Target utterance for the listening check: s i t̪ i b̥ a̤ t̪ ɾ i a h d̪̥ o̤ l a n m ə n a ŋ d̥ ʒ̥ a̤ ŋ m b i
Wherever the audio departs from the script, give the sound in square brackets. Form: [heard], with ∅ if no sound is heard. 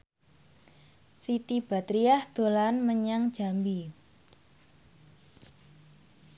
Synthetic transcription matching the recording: s i t̪ i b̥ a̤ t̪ ɾ i a h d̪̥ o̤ l a n m ə [ɲ] a ŋ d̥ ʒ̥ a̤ [∅] m b i